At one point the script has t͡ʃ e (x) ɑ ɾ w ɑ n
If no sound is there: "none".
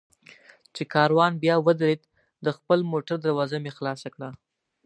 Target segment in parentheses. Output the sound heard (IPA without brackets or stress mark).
k